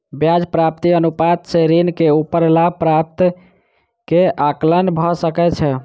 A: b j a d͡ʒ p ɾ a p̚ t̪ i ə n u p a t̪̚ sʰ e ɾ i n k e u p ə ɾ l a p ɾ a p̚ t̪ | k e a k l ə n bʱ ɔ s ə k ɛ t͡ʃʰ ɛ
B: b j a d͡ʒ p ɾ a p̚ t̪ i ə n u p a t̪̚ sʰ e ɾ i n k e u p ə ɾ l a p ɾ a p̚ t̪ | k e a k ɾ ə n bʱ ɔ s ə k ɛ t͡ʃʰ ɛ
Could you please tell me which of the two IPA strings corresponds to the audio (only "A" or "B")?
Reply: A